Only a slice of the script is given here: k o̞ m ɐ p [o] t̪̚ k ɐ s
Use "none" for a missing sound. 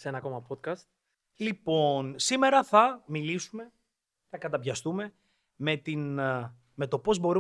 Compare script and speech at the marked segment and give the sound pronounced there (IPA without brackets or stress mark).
o